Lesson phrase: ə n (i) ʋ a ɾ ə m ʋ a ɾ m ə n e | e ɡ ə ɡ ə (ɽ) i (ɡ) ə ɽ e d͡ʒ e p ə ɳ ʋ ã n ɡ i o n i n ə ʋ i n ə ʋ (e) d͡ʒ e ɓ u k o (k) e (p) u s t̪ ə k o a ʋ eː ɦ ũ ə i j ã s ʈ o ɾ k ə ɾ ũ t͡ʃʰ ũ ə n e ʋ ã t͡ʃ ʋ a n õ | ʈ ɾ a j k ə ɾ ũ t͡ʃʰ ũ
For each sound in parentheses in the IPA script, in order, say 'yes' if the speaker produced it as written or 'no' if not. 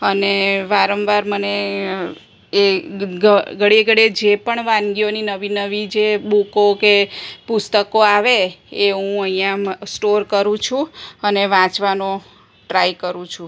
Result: no, yes, yes, no, yes, yes

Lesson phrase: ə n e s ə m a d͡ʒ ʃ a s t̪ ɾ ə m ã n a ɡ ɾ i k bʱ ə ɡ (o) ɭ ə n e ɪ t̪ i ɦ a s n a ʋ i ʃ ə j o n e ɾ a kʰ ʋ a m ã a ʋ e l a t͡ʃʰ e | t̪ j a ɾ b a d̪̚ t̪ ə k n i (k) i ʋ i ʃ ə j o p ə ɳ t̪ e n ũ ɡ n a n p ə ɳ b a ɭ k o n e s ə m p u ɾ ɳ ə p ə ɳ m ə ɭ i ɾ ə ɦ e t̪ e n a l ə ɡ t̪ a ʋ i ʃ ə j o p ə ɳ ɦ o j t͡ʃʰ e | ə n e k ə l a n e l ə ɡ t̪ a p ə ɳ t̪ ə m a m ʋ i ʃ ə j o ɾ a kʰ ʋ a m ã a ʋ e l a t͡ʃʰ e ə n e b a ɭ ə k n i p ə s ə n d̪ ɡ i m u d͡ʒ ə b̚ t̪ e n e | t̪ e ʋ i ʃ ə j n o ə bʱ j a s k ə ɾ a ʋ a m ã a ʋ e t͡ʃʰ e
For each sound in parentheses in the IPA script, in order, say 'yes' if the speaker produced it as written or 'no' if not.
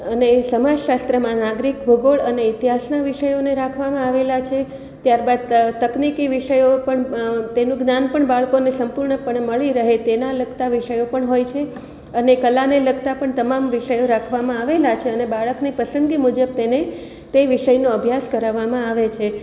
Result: yes, yes

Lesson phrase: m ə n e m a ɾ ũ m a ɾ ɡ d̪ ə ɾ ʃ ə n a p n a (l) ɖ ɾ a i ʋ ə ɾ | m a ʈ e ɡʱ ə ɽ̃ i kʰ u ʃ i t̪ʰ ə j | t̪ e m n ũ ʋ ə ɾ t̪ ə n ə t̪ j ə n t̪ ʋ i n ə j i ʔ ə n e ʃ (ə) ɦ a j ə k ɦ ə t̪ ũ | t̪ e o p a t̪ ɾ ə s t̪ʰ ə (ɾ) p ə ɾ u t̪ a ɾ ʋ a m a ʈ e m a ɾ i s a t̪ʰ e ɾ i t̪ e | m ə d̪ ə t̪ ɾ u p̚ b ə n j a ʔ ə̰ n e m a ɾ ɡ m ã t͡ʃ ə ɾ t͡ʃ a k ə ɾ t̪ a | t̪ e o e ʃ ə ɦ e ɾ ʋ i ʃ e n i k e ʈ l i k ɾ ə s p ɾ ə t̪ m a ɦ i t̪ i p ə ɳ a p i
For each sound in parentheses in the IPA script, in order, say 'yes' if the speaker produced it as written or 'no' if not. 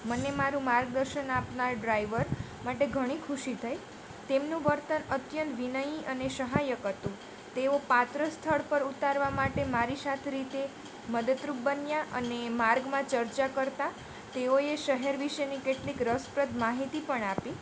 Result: no, yes, no

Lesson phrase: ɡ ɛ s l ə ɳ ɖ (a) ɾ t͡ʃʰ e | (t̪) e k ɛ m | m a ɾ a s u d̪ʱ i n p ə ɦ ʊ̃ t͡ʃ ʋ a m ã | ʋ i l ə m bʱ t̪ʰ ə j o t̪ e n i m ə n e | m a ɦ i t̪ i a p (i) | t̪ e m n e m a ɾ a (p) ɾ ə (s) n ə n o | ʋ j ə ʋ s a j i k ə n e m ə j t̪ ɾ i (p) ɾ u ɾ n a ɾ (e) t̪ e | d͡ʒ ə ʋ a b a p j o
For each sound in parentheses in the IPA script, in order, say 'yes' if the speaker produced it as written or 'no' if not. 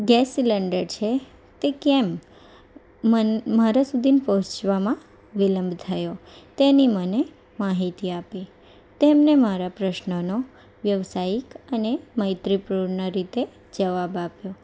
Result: no, yes, yes, yes, no, yes, no

